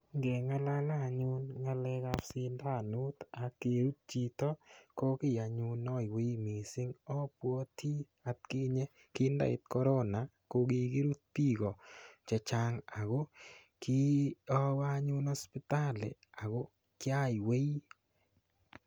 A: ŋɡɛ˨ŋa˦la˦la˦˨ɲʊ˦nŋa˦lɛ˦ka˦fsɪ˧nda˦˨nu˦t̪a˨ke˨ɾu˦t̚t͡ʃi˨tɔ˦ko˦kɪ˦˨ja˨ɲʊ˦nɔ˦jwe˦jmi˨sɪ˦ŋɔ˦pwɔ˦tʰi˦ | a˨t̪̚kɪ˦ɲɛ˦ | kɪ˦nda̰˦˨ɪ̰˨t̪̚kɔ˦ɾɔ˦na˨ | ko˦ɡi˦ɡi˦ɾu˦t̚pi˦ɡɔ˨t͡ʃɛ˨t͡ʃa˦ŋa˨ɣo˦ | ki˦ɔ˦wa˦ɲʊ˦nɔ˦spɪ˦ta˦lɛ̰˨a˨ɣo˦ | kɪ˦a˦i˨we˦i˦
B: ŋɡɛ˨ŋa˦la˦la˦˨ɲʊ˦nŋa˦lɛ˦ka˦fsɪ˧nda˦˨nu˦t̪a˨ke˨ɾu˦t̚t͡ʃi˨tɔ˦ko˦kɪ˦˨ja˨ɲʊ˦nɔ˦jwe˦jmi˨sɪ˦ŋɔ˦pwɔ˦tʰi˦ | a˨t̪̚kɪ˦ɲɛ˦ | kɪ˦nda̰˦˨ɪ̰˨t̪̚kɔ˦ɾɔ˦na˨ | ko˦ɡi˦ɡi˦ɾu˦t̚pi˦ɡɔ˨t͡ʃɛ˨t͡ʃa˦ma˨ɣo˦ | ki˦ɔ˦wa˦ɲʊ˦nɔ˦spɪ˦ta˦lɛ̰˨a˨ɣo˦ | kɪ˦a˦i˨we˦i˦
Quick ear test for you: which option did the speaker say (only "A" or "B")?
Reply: A